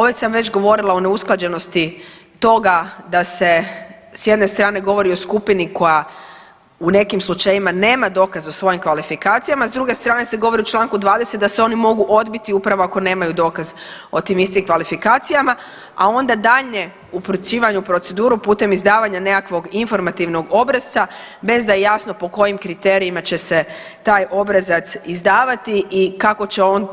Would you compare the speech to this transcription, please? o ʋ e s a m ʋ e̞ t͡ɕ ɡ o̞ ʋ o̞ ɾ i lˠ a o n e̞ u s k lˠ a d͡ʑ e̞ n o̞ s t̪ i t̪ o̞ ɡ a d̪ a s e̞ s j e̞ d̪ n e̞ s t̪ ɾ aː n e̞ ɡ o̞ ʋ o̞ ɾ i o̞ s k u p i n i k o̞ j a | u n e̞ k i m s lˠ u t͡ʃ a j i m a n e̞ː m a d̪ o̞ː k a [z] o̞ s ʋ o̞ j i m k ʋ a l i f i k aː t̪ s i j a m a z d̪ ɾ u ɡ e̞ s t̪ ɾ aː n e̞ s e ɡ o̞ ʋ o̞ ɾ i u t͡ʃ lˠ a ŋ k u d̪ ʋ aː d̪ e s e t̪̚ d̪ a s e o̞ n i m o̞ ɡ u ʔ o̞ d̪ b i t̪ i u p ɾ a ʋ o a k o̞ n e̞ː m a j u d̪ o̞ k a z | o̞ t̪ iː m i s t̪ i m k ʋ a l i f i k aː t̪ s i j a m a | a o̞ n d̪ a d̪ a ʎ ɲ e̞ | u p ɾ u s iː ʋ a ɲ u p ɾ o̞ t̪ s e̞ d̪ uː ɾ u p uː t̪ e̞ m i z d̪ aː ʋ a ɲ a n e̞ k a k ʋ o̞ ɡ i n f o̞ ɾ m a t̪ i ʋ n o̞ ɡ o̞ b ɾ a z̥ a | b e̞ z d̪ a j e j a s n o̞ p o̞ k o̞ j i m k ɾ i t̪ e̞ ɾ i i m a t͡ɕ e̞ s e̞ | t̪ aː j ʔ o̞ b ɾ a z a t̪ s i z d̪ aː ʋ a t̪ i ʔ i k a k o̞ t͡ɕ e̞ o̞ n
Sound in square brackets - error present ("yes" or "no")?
no